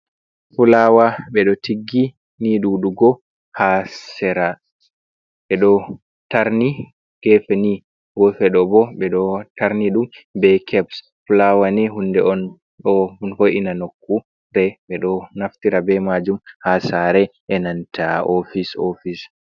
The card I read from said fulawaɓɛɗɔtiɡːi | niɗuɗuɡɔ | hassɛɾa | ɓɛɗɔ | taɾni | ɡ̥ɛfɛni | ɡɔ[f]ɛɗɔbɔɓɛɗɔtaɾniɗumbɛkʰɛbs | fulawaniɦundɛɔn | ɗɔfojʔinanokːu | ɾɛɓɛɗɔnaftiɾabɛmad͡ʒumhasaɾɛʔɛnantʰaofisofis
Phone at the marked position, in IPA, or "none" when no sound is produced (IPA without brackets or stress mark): f